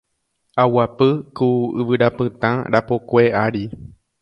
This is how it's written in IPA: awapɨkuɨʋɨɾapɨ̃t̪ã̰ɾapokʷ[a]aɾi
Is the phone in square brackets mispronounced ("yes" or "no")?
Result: yes